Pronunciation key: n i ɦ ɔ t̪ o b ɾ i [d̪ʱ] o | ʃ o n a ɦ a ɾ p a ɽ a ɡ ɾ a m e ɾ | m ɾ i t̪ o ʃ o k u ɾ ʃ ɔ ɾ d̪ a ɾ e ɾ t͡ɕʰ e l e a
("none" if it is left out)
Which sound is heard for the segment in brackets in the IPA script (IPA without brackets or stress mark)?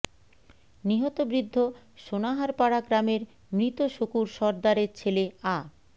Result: d̪ʱː